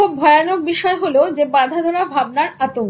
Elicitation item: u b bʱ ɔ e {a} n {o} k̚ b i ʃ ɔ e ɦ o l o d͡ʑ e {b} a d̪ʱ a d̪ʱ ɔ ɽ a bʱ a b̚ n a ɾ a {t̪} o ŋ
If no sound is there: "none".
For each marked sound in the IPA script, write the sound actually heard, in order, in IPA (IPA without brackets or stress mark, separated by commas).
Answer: a, o, b, t̪